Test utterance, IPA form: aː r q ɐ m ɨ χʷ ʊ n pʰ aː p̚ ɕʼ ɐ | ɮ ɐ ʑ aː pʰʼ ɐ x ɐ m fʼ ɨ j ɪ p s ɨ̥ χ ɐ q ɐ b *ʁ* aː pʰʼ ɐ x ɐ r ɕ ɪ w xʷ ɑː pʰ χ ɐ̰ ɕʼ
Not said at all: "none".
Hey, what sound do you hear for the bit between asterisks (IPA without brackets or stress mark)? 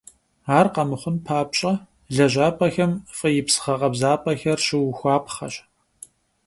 z